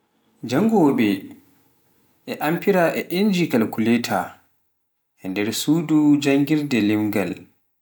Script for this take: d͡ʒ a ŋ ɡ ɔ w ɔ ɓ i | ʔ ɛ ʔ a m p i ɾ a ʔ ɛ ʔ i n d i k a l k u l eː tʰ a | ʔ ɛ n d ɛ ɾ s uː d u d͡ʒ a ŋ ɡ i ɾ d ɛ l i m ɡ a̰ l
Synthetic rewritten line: d͡ʒ a ŋ ɡ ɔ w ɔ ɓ ɛ | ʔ ɛ ʔ a m p i ɾ a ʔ ɛ ʔ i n d͡ʒ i k a l k u l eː tʰ a | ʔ ɛ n d ɛ ɾ s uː d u d͡ʒ a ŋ ɡ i ɾ d ɛ l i m ɡ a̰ l